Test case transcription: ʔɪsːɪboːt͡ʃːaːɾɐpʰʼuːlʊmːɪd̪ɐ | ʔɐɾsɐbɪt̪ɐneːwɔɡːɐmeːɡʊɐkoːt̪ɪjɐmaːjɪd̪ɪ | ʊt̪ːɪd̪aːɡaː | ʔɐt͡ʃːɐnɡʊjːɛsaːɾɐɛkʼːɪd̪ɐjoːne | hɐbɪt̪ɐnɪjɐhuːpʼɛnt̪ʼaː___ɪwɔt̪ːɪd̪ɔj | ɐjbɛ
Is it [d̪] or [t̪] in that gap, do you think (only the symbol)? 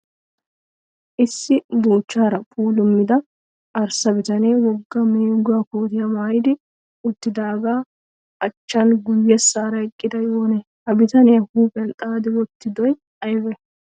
d̪